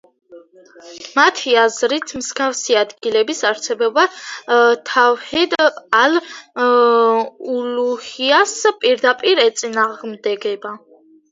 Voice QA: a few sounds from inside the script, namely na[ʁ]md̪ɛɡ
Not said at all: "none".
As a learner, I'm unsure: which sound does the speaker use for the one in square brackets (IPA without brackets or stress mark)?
ʁ